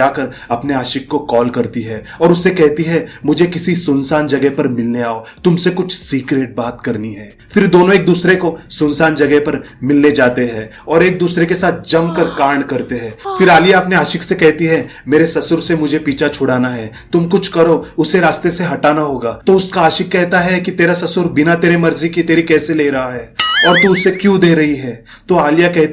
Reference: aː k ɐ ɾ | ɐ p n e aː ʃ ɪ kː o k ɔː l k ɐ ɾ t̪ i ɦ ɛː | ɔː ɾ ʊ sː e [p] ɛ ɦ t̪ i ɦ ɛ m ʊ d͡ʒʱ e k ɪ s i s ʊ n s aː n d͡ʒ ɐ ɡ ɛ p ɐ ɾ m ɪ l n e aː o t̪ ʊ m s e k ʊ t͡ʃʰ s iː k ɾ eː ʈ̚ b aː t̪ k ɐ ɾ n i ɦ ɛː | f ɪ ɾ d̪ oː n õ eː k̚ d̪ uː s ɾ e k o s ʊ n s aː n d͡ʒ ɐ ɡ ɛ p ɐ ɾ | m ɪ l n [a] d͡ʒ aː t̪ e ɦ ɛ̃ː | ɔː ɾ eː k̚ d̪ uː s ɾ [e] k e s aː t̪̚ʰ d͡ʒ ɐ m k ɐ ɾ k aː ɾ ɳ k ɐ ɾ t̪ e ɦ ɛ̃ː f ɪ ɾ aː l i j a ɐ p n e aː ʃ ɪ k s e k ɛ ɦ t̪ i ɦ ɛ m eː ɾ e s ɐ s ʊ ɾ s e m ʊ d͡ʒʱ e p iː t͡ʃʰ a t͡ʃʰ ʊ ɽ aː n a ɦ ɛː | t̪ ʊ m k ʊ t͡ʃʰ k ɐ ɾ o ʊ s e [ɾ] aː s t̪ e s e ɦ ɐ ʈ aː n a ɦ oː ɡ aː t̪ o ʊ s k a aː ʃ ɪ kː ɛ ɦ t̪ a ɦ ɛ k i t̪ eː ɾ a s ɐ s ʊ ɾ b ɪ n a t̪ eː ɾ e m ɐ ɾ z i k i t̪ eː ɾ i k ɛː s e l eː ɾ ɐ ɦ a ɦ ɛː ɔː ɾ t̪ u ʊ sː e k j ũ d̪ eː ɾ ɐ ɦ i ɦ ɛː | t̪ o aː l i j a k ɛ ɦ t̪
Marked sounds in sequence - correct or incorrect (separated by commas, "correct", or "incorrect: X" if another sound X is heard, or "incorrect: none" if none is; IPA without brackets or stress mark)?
incorrect: k, incorrect: e, correct, correct